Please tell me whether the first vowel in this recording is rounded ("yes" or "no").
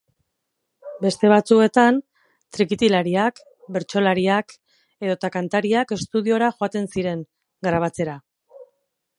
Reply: no